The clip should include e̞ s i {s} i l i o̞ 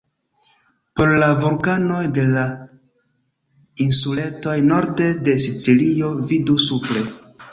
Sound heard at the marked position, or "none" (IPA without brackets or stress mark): t͡s